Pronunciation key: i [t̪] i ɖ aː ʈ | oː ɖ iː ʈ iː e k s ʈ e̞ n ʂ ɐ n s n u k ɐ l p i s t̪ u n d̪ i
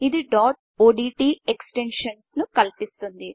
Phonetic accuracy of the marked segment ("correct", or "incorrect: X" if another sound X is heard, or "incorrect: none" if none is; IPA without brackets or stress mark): incorrect: d̪